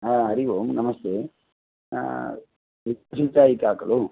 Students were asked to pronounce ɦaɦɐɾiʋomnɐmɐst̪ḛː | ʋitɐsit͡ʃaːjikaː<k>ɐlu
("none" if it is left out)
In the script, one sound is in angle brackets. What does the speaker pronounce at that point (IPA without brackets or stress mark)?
k